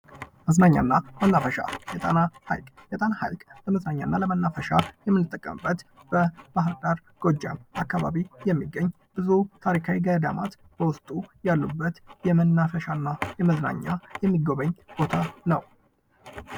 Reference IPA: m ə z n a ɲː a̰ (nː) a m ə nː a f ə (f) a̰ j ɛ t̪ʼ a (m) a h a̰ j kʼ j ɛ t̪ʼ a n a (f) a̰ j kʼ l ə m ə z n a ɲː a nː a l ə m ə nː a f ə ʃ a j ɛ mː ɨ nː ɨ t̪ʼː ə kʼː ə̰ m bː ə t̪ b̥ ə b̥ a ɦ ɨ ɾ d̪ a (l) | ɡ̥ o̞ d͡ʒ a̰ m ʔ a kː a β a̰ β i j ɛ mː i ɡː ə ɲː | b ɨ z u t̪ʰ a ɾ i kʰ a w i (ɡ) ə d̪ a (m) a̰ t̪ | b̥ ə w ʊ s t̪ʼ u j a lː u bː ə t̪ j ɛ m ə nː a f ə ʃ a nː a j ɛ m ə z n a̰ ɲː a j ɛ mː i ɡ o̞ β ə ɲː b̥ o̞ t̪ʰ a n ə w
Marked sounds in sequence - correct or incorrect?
correct, incorrect: ʃ, incorrect: n, incorrect: h, incorrect: ɾ, correct, correct

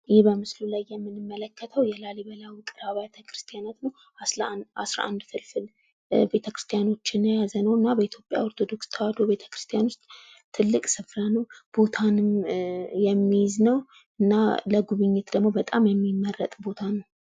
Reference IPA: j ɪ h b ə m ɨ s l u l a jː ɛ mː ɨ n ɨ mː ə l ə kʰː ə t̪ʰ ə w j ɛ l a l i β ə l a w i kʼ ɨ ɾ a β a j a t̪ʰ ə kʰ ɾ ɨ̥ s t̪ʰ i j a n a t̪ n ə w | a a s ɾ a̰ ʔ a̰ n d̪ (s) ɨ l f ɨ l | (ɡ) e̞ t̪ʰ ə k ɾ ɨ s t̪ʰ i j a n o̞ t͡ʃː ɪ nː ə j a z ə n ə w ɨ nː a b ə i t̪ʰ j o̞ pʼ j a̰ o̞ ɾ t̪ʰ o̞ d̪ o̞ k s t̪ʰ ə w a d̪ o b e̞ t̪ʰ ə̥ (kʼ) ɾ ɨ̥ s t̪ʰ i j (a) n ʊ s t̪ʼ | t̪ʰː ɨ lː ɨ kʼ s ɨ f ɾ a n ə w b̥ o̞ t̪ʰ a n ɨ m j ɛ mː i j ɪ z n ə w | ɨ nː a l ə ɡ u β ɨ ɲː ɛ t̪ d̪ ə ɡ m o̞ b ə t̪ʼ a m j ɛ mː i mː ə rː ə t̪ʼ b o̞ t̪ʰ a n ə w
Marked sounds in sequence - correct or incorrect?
incorrect: f, incorrect: b, incorrect: k, correct

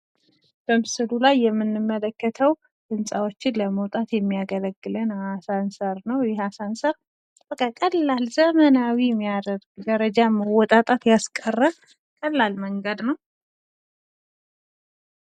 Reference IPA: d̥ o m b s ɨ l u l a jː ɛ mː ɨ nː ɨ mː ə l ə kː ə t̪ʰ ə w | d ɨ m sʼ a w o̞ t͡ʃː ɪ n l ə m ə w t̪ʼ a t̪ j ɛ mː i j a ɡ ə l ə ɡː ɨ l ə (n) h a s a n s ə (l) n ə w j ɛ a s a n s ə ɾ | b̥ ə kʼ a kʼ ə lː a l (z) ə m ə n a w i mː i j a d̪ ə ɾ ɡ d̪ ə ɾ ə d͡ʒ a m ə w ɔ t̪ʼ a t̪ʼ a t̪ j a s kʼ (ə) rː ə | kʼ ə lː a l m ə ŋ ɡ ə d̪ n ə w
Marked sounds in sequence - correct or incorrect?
correct, incorrect: ɾ, correct, correct

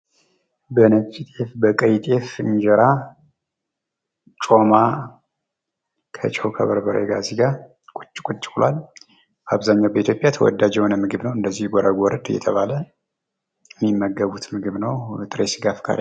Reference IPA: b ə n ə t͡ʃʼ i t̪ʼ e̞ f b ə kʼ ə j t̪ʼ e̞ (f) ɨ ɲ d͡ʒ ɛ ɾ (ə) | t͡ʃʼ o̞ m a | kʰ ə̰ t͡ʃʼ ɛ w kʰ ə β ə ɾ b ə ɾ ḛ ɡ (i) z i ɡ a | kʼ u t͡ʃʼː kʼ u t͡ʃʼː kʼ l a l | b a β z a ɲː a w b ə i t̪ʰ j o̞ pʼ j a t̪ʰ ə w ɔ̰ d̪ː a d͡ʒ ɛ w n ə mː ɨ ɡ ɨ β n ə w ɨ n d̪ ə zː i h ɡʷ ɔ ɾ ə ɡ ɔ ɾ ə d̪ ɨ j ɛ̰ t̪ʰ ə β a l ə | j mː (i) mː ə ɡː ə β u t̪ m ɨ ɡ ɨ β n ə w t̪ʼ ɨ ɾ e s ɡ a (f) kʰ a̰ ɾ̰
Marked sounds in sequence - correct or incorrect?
correct, incorrect: a, incorrect: a, correct, correct

